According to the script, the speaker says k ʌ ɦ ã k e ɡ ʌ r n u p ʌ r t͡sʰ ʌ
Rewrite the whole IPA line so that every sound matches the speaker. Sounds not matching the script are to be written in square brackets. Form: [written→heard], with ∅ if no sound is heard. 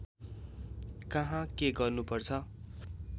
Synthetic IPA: k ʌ ɦ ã k e ɡ ʌ r n u p ʌ r t͡sʰ ʌ